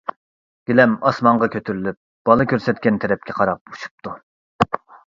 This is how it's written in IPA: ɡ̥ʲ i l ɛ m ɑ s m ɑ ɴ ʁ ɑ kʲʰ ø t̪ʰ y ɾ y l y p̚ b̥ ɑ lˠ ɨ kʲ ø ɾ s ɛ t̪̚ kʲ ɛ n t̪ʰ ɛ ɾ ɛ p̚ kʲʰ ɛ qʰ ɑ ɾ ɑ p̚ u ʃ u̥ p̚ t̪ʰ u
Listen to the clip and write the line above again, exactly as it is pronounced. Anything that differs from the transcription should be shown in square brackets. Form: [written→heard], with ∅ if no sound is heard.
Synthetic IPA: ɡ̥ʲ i l ɛ m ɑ s m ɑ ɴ ʁ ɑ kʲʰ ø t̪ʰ y ɾ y l y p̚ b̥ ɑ lˠ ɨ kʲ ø ɾ s ɛ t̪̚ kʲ ɛ n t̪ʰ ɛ ɾ ɛ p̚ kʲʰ ɛ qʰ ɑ ɾ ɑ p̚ u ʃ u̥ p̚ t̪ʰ u